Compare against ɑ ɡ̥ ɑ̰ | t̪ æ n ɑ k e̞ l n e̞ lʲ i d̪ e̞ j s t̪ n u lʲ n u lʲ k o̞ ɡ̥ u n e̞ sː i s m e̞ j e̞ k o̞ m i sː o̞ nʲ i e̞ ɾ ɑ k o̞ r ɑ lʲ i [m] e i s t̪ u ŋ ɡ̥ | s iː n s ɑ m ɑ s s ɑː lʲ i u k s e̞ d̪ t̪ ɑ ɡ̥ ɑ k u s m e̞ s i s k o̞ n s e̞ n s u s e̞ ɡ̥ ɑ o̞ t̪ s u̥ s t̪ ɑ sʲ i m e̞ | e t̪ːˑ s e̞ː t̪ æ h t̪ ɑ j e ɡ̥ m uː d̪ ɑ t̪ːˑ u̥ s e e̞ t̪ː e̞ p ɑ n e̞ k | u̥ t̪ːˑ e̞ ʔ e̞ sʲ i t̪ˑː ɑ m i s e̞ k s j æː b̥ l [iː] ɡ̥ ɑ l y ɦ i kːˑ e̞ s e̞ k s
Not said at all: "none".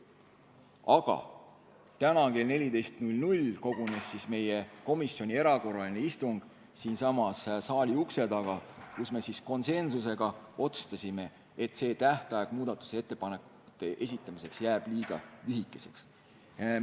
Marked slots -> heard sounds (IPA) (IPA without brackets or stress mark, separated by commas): n, iː